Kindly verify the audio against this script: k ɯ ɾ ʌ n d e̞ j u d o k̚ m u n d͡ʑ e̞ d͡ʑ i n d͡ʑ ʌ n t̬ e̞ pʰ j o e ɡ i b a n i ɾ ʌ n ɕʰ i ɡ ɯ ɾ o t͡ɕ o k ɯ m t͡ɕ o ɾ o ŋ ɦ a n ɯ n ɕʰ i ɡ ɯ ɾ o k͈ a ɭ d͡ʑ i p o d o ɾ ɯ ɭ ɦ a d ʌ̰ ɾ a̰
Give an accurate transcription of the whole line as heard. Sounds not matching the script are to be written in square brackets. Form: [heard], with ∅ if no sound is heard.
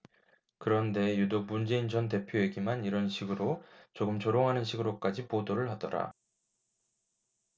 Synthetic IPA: k ɯ ɾ ʌ n d e̞ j u d o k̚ m u n d͡ʑ e̞ [∅] i n d͡ʑ ʌ n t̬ e̞ pʰ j o e ɡ i [m] a n i ɾ ʌ n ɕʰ i ɡ ɯ ɾ o t͡ɕ o [ɡ] ɯ m t͡ɕ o ɾ o ŋ ɦ a n ɯ n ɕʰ i ɡ ɯ ɾ o k͈ a [∅] d͡ʑ i p o d o ɾ ɯ ɭ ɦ a d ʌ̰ ɾ a̰